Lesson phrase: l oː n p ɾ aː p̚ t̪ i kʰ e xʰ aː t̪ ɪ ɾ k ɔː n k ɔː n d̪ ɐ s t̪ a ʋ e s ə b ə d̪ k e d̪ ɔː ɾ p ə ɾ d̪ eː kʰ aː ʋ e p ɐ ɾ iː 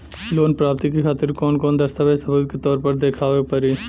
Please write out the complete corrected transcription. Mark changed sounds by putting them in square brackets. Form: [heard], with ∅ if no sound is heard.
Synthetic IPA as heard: l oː n p ɾ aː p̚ t̪ i [k] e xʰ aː t̪ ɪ ɾ k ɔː n k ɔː n d̪ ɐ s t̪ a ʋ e s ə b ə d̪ k e [t̪] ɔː ɾ p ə ɾ d̪ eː kʰ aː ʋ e p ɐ ɾ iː